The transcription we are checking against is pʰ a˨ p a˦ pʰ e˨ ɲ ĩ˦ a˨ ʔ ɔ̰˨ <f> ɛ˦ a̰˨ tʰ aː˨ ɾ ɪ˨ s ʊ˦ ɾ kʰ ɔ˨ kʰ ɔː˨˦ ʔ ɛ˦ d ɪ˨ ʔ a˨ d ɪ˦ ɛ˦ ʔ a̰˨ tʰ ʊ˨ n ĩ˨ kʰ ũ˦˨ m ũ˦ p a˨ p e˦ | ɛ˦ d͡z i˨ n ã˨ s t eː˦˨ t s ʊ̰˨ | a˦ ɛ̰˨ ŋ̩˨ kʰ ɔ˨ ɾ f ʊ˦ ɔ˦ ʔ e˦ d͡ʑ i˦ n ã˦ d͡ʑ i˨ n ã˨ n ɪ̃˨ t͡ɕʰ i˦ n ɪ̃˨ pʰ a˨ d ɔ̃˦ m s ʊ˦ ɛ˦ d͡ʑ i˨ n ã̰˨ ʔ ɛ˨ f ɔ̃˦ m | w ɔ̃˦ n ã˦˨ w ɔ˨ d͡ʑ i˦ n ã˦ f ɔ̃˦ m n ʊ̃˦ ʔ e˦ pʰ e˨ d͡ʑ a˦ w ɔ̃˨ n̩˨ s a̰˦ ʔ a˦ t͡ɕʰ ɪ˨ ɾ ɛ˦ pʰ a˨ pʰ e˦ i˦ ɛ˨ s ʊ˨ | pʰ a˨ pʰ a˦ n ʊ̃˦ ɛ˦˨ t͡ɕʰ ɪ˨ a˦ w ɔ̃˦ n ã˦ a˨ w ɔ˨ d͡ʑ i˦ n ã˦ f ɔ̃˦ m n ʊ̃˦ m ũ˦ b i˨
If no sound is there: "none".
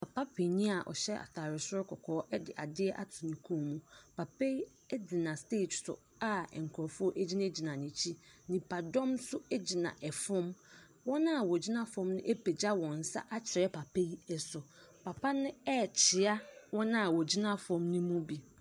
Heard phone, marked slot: ɕ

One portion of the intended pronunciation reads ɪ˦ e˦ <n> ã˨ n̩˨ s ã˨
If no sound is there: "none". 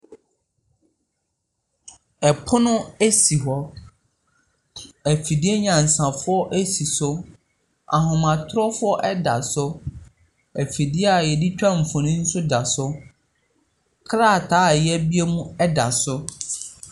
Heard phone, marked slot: ɲ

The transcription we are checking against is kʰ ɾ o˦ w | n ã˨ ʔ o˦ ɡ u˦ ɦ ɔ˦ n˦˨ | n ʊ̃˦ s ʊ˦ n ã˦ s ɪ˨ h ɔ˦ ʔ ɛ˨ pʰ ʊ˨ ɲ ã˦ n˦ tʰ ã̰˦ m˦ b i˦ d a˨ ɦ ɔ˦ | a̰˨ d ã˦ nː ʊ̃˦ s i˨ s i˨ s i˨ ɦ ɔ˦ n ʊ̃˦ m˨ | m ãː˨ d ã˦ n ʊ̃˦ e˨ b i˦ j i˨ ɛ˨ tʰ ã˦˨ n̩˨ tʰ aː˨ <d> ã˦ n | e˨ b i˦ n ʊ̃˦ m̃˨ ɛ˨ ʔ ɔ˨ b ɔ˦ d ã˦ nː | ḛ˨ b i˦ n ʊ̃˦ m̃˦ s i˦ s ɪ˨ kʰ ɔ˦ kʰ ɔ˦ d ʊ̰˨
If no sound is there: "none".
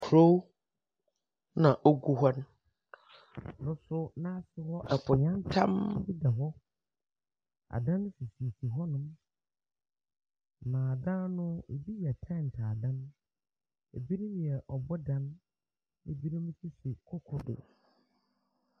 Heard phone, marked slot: d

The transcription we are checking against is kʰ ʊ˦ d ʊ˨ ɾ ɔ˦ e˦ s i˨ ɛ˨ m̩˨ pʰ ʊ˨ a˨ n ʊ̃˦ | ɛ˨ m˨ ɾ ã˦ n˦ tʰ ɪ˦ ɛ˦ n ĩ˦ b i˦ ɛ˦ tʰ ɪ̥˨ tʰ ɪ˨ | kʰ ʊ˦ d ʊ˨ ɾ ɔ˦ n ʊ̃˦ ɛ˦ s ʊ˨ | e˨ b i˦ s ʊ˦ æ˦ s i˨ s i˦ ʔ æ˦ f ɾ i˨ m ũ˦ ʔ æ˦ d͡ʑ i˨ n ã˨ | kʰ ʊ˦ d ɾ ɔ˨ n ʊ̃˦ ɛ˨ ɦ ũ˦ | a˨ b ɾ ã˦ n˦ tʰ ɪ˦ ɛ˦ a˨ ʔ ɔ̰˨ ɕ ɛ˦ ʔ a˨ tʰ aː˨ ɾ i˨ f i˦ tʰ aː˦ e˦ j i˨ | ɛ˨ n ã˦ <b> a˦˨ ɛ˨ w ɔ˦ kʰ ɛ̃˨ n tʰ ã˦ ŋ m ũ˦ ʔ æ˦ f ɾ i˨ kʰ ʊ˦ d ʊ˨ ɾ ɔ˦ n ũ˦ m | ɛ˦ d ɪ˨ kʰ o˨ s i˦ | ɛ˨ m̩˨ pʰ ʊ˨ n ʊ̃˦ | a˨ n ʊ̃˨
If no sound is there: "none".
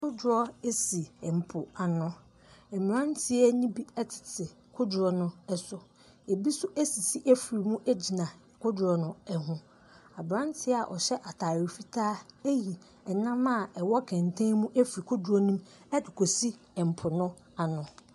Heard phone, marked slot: m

